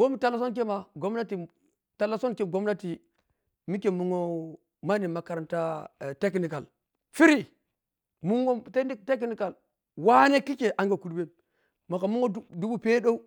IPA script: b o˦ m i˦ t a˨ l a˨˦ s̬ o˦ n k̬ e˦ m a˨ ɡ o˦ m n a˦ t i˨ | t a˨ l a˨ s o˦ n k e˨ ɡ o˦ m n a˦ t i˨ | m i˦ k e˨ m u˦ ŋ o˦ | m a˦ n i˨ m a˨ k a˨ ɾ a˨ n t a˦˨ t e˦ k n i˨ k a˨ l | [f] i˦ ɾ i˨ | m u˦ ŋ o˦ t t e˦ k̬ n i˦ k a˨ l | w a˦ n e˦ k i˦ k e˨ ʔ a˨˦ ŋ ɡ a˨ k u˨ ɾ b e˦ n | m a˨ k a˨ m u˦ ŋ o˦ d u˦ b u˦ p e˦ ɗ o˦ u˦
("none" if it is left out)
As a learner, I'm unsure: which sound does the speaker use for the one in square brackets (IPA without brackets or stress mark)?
f